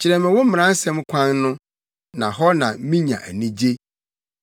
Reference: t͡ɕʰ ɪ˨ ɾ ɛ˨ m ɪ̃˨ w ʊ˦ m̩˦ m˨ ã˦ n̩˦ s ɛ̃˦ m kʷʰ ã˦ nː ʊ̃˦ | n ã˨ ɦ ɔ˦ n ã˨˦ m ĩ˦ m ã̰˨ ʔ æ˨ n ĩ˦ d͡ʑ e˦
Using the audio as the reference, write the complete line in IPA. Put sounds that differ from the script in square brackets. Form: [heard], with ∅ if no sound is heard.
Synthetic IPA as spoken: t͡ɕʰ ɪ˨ ɾ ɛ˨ m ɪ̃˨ w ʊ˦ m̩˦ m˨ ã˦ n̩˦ s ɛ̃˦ m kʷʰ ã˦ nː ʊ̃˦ | n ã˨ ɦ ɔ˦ n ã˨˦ m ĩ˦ [ɲ] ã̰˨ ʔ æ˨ n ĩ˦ d͡ʑ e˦